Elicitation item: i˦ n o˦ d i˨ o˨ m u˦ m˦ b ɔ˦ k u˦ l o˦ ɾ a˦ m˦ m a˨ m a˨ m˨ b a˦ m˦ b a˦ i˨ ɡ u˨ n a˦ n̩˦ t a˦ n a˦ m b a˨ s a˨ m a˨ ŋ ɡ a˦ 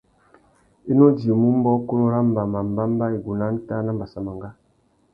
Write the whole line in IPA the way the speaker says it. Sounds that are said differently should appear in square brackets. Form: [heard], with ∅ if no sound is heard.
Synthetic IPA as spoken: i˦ n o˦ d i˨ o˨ m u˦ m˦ b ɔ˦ k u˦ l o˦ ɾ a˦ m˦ [b] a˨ m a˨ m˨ b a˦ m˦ b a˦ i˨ ɡ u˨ n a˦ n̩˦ t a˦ n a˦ m b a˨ s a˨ m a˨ ŋ ɡ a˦